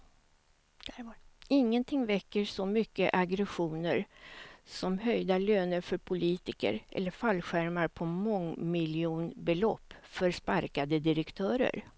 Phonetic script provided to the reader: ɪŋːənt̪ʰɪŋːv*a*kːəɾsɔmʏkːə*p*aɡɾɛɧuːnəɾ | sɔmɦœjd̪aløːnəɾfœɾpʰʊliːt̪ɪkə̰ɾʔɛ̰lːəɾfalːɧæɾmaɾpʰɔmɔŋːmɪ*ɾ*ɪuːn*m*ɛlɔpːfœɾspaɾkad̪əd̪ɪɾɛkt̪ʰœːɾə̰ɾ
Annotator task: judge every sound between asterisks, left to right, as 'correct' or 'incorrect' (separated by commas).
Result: incorrect, incorrect, incorrect, incorrect